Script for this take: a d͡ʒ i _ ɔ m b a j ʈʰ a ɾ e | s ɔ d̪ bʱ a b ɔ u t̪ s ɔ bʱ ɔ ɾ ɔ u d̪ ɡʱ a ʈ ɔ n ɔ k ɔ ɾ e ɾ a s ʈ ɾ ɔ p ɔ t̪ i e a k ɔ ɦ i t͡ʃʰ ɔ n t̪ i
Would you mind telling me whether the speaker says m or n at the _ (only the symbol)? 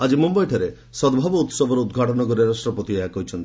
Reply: m